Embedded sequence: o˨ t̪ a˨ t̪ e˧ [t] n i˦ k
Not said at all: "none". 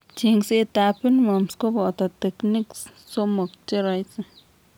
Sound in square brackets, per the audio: k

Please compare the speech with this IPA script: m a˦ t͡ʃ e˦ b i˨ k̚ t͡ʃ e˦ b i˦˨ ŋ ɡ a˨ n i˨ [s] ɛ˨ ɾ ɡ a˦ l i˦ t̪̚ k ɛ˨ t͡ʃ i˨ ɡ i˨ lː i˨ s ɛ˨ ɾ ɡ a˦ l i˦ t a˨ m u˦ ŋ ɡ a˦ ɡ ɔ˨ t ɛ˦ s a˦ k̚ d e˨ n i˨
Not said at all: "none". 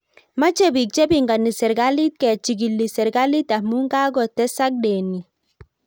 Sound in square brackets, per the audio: s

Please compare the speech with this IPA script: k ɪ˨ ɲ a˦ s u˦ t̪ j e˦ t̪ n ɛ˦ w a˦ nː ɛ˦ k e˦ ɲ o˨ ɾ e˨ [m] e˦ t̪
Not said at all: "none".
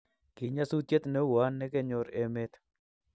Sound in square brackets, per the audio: m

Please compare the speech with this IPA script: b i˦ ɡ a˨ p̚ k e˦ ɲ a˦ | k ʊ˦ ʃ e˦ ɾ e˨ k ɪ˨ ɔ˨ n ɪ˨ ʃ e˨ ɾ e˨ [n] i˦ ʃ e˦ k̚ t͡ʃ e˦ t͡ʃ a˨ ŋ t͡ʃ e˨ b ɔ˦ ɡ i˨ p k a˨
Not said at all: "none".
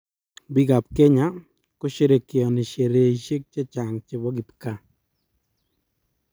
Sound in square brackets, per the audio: none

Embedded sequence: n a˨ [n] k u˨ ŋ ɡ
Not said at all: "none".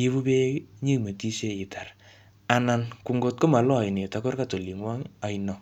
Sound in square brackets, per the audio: n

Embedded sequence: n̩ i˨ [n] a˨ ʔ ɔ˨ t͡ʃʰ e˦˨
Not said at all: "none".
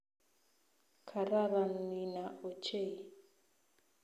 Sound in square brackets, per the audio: n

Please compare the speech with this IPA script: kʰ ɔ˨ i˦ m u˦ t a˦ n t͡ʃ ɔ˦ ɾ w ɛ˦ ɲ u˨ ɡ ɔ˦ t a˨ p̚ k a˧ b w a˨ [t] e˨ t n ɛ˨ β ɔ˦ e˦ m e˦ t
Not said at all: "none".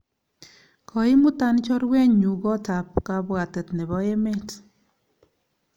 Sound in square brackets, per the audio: t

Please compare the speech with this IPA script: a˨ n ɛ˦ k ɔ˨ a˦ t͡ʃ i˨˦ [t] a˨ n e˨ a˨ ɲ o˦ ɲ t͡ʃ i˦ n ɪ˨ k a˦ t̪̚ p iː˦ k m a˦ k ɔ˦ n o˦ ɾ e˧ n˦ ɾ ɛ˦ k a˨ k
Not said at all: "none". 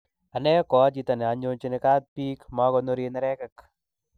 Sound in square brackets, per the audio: t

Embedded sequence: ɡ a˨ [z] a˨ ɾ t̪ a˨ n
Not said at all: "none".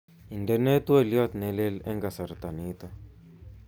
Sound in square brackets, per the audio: s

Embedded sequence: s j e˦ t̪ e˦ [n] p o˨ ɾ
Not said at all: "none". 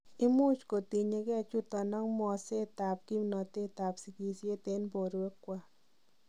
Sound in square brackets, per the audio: n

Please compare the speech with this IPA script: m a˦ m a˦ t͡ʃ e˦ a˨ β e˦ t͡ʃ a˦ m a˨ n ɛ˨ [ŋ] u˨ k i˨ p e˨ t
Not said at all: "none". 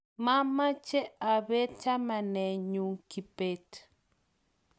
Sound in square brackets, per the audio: ɲ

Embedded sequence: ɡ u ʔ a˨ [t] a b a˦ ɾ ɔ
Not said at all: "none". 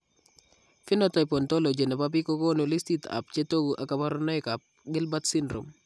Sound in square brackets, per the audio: k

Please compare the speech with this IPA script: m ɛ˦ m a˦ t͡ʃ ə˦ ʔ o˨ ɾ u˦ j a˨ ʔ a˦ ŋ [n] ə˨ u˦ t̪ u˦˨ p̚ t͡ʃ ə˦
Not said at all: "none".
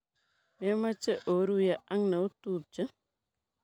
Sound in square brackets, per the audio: n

